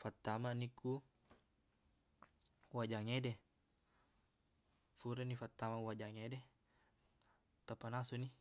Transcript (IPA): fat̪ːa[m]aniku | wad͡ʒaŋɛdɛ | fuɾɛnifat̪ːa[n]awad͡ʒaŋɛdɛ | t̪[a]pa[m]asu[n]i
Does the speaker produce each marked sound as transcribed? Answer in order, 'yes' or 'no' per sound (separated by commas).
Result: yes, no, yes, no, yes